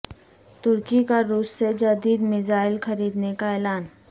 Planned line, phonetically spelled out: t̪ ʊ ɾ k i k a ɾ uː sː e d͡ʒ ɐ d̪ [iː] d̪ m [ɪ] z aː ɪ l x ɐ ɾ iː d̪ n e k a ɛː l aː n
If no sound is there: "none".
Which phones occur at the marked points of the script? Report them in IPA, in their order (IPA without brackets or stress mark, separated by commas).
iː, ɪ